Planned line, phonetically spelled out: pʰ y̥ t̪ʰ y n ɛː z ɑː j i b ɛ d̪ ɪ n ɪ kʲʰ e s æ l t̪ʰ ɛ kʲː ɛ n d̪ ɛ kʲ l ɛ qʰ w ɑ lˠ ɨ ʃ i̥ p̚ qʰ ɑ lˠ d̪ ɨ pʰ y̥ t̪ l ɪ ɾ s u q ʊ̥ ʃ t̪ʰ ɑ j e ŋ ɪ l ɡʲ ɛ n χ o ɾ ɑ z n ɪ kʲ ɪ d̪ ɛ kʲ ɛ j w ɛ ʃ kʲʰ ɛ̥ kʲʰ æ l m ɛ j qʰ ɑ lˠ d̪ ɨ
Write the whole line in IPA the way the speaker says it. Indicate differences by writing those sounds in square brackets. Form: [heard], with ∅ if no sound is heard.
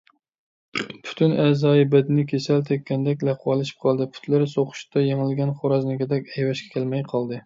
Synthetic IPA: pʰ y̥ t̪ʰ y n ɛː z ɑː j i b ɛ d̪ ɪ n ɪ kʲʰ e s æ l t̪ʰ ɛ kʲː ɛ n d̪ ɛ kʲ l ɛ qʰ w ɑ lˠ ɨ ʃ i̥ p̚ qʰ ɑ lˠ d̪ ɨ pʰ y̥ t̪ l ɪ ɾ s [o] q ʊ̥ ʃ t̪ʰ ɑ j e ŋ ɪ l ɡʲ ɛ n χ o ɾ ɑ z n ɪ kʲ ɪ d̪ ɛ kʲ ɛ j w ɛ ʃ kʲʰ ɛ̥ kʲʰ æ l m ɛ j qʰ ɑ lˠ d̪ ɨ